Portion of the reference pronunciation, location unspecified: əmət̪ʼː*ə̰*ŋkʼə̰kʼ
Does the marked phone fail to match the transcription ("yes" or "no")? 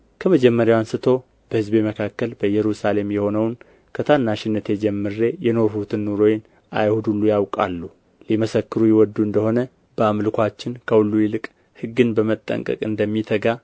no